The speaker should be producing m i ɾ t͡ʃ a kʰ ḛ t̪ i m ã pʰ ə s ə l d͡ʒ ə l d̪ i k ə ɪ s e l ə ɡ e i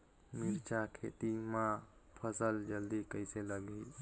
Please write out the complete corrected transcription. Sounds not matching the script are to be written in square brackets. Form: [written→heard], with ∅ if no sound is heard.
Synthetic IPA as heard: m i ɾ t͡ʃ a kʰ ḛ t̪ i m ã pʰ ə s ə l d͡ʒ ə l d̪ i k ə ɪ s e l ə ɡ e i